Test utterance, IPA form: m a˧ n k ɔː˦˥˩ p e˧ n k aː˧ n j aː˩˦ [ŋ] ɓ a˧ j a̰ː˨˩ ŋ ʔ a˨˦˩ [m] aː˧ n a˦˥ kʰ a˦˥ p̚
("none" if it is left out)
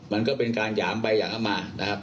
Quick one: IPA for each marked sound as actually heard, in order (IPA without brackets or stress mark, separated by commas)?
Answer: m, m